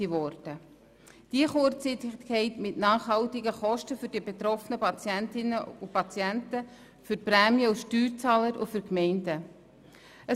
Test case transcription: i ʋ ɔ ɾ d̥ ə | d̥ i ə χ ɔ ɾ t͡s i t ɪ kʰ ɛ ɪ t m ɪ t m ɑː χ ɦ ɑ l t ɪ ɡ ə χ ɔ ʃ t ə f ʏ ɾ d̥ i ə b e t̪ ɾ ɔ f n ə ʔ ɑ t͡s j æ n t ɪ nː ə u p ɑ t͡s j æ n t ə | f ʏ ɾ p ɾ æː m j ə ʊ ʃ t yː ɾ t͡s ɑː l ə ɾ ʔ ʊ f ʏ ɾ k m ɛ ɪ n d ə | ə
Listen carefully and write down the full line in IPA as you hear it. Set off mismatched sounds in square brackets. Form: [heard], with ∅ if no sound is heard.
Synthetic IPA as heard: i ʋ ɔ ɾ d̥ ə | d̥ i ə χ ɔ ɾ t͡s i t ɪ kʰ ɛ ɪ t m ɪ t [n] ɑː χ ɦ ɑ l t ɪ ɡ ə χ ɔ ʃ t ə f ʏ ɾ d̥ i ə b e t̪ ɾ ɔ f n ə [p] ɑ t͡s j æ n t ɪ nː ə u p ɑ t͡s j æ n t ə | f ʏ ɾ p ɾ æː m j ə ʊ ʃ t yː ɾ t͡s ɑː l ə ɾ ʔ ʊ f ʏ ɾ k m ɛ ɪ n d ə | ə